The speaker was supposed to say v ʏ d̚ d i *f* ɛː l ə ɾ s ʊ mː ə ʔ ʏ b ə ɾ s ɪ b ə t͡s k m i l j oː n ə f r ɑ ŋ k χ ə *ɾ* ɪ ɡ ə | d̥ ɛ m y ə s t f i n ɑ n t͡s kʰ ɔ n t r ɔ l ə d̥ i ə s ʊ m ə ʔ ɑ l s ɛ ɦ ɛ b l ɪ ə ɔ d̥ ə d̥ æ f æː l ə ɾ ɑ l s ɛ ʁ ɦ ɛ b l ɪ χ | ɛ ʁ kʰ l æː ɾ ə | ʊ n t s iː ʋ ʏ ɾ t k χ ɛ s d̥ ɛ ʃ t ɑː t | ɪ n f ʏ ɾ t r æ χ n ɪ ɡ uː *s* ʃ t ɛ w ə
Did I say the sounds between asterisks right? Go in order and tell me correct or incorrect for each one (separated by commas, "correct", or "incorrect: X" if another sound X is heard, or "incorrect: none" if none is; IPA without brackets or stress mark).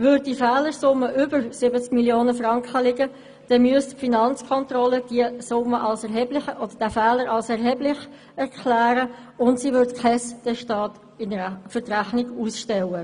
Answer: correct, incorrect: l, correct